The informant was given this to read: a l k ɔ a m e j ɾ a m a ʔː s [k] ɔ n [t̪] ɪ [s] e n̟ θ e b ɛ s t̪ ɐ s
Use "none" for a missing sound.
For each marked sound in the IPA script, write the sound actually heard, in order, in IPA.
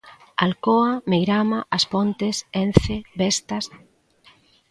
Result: p, t̪, s

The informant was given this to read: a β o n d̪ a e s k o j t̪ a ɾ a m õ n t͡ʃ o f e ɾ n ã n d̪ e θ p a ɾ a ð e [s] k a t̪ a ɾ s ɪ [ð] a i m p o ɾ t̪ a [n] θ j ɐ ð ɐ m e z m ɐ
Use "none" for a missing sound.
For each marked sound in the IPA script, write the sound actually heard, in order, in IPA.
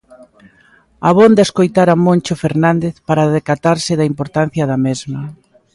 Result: none, ð, n

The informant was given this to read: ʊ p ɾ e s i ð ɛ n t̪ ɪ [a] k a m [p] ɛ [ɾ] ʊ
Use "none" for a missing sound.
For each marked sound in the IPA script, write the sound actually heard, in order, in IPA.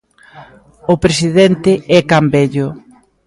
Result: ɛ, b, ʎ

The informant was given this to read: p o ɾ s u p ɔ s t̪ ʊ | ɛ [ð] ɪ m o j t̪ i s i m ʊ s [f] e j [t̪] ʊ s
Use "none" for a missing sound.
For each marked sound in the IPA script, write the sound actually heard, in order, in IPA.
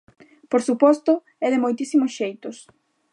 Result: ð, ʃ, t̪

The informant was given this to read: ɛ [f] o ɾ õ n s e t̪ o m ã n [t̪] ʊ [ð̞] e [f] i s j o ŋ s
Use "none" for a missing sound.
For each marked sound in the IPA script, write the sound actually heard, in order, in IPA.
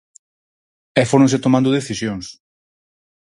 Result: f, d̪, ð̞, θ

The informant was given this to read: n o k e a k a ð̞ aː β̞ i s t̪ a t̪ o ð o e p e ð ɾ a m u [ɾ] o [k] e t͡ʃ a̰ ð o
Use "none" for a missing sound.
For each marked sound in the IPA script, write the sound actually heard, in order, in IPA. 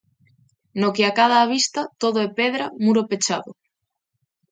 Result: ɾ, p

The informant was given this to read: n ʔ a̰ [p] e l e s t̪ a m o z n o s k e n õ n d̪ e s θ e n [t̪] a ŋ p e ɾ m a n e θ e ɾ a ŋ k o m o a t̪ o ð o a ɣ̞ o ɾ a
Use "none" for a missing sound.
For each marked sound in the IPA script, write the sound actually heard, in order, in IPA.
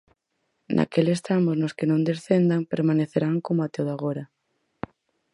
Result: k, d̪

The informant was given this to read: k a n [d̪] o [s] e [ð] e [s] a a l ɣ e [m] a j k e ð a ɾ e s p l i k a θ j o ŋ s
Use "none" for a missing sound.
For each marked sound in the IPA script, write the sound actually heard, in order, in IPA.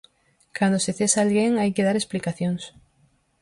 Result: d̪, s, θ, s, ŋ

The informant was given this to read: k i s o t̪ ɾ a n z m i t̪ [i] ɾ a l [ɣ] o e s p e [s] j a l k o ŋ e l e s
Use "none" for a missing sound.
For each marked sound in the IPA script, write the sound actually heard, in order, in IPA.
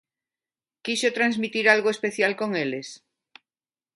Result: i, ɣ, θ

